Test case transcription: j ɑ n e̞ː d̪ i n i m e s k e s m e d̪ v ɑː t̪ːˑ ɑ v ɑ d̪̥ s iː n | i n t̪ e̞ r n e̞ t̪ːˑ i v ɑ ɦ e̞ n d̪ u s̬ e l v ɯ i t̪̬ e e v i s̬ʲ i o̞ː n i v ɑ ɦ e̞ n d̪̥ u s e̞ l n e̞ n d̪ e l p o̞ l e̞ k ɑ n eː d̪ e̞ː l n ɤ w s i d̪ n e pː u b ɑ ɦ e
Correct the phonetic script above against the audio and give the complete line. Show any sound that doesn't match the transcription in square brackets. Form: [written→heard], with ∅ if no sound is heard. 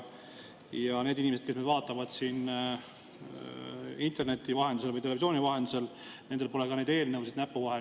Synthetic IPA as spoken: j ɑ n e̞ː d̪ i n i m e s k e s m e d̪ v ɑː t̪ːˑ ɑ v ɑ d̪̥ s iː n | i n t̪ e̞ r n e̞ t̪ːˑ i v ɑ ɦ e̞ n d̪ u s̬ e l v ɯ [i→j] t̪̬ e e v i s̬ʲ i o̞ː n i v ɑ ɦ e̞ n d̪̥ u s e̞ l n e̞ n d̪ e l p o̞ l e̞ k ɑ n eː d̪ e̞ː l n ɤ w s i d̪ n [e→æ] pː u [b→v] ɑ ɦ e